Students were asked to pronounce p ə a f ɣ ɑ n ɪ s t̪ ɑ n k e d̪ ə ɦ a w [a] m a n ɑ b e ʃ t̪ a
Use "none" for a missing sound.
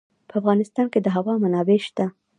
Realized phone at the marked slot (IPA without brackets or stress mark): ɑ